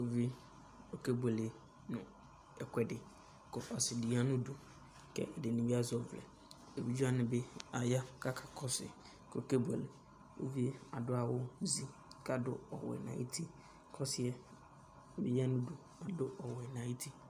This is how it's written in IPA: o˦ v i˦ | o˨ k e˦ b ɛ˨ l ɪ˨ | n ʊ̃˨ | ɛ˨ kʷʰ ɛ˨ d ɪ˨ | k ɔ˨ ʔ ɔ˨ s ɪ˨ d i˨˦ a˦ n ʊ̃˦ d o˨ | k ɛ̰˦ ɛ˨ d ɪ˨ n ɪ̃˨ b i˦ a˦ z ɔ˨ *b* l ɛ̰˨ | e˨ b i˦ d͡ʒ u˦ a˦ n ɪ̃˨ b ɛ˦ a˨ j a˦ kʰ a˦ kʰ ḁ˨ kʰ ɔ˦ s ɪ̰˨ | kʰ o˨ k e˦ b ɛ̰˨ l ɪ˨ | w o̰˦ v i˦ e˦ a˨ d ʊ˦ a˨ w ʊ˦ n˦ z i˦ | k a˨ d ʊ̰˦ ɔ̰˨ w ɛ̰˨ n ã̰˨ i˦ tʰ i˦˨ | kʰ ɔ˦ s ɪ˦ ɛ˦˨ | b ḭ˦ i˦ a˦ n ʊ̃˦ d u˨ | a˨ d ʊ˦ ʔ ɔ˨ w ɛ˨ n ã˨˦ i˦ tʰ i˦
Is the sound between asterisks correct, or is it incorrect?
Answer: incorrect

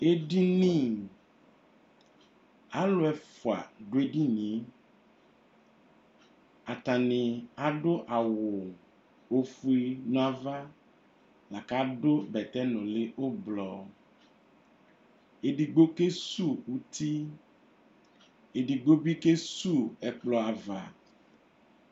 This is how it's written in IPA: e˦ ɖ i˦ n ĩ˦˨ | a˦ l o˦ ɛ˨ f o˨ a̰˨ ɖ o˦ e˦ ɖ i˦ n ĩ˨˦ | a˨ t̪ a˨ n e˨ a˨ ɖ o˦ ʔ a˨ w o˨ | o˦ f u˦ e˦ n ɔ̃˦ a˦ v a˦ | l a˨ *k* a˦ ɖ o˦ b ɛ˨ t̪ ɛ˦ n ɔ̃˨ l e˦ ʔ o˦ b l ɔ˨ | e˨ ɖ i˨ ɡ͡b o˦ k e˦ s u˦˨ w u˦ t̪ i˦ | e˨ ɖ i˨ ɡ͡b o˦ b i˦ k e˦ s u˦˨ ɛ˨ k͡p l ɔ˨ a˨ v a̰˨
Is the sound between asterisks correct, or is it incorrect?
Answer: correct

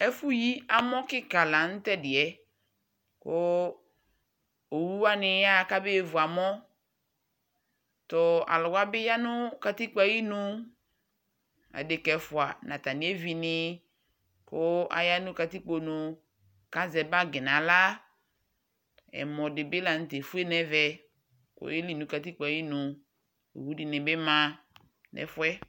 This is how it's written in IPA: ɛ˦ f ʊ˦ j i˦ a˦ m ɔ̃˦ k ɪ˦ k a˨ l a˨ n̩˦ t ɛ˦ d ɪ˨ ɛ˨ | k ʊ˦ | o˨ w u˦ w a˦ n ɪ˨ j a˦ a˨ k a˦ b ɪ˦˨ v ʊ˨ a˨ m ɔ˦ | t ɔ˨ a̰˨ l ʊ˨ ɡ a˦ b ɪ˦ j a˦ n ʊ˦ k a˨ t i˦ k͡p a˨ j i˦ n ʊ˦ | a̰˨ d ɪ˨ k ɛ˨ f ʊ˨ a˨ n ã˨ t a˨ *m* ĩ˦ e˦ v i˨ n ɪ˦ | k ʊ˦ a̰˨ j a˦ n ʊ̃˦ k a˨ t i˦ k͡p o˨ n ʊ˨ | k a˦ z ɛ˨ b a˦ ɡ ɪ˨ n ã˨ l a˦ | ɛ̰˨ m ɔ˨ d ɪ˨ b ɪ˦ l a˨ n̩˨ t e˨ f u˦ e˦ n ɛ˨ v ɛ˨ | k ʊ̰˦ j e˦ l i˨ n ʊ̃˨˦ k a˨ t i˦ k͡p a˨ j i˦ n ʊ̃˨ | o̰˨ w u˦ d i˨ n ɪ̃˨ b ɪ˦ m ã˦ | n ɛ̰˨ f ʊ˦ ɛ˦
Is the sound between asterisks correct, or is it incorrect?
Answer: incorrect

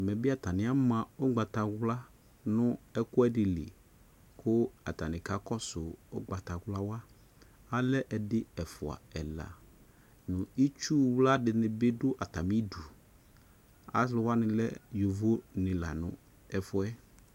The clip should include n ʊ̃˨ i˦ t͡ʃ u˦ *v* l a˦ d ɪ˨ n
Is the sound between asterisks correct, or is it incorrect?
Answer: incorrect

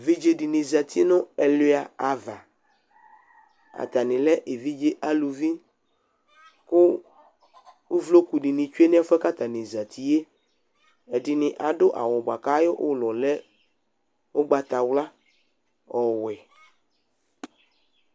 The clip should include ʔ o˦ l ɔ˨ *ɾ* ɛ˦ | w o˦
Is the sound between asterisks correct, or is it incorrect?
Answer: incorrect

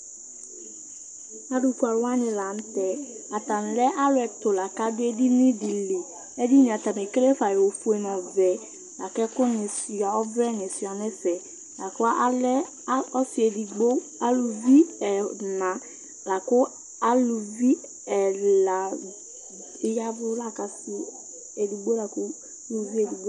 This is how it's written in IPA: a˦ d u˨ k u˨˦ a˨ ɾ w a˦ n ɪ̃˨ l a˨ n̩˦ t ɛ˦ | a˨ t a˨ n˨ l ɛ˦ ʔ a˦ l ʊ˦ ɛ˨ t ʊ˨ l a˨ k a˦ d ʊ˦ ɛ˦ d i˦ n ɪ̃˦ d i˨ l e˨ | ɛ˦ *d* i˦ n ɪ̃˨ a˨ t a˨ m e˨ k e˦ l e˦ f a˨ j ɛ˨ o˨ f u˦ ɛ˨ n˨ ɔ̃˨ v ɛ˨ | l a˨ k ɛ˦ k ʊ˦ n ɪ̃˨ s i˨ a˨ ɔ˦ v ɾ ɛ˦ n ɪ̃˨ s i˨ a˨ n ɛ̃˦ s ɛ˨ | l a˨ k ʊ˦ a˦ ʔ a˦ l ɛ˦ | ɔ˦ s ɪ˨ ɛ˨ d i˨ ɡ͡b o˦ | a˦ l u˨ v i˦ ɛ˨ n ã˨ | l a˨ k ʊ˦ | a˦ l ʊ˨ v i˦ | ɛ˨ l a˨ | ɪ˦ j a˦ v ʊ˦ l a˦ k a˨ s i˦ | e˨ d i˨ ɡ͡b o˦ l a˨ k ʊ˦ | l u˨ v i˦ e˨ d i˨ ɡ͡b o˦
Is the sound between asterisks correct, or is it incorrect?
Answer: correct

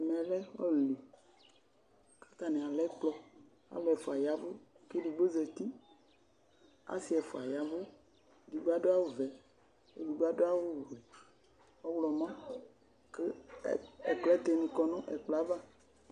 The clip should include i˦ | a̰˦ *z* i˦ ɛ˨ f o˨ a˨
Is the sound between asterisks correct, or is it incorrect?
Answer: incorrect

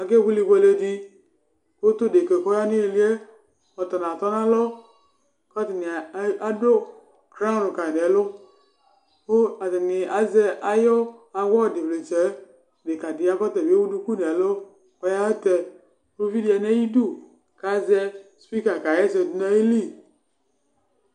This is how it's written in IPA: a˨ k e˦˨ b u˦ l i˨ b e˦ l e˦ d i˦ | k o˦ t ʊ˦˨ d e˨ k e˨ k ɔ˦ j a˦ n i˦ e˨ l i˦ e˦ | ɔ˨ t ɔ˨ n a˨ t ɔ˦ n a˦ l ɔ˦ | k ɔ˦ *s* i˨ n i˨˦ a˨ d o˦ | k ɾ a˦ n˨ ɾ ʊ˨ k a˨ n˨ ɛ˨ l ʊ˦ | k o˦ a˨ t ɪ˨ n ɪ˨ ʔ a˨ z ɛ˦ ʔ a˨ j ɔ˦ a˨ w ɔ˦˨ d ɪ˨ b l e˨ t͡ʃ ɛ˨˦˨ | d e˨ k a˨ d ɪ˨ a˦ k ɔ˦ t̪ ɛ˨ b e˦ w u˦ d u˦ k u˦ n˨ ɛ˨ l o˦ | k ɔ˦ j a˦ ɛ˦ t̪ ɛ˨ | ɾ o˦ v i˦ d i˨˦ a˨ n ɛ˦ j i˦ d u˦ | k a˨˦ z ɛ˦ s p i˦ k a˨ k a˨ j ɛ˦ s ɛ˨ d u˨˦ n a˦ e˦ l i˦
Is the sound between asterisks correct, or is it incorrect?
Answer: incorrect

